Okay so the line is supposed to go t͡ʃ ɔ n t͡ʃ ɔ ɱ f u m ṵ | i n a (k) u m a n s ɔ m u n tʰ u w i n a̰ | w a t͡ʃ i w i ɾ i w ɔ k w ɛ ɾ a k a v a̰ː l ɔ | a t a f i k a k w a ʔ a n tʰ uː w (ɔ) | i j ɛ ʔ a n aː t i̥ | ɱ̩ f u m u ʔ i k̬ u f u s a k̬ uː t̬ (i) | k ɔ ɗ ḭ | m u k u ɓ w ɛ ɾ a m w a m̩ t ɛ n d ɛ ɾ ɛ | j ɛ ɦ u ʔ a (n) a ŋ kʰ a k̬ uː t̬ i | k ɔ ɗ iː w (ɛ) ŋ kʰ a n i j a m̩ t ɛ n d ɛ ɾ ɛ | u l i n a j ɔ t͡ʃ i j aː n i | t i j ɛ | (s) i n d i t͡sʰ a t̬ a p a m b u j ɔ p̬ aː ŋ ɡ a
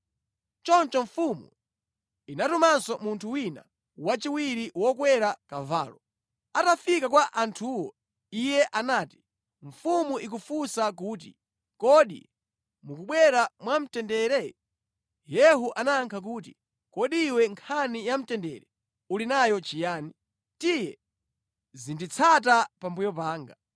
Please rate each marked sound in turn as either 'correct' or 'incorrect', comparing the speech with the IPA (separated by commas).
incorrect, correct, correct, correct, correct, incorrect